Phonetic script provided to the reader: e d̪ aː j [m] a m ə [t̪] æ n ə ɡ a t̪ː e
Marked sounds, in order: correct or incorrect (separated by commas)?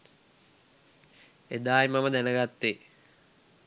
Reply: correct, incorrect